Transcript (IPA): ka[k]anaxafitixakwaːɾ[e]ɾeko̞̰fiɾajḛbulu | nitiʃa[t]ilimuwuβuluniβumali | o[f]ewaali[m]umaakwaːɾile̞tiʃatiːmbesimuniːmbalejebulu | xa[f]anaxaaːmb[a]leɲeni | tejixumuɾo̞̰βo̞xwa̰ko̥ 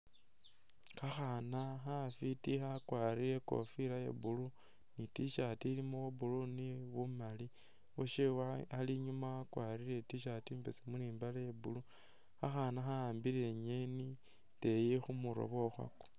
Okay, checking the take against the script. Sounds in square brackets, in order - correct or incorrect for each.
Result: incorrect, incorrect, correct, incorrect, incorrect, incorrect, incorrect

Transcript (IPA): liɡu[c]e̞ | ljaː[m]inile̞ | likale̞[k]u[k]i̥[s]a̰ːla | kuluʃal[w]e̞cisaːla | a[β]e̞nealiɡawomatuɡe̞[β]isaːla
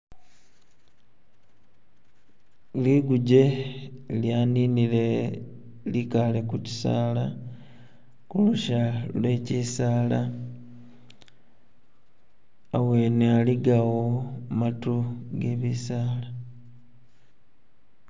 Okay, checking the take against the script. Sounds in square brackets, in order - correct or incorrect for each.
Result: incorrect, incorrect, correct, incorrect, correct, correct, incorrect, correct

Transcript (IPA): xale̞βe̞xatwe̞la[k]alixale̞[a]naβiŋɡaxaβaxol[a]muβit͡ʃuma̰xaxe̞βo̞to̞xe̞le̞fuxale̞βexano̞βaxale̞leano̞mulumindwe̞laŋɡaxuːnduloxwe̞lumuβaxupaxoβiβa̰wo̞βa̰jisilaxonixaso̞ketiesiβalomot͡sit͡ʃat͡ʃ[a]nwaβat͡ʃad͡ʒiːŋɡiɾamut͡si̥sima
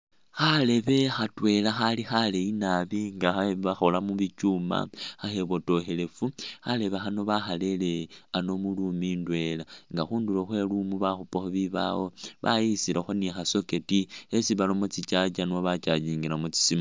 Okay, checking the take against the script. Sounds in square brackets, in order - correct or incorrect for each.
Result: incorrect, incorrect, correct, correct

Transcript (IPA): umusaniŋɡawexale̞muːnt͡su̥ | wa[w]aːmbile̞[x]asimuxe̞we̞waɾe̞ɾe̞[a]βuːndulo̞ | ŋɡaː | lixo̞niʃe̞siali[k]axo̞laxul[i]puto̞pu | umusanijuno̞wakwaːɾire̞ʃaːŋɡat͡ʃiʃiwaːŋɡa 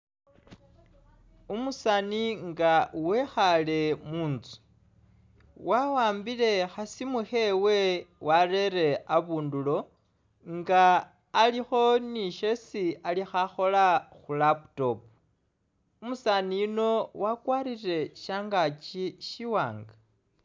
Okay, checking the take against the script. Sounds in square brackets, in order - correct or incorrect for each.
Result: correct, correct, correct, incorrect, incorrect

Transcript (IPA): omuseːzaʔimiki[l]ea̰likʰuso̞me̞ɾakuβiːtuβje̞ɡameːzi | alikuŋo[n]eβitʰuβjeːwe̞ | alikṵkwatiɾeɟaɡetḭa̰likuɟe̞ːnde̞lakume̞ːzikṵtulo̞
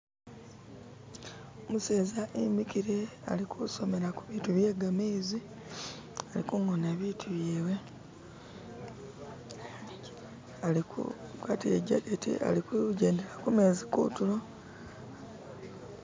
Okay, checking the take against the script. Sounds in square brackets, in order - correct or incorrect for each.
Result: incorrect, correct

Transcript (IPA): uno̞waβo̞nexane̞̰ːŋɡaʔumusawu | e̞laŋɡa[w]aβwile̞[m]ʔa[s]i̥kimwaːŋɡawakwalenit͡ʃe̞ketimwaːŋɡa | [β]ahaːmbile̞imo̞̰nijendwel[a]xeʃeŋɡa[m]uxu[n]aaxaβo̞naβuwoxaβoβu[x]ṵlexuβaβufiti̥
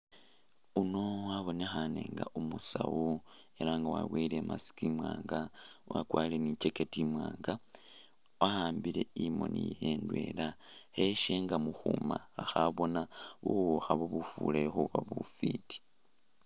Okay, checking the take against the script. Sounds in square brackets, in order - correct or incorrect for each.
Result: correct, correct, correct, incorrect, correct, correct, incorrect, incorrect

